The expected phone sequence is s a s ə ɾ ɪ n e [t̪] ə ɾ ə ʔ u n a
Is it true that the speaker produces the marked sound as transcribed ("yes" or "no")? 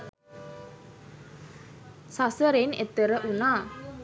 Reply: yes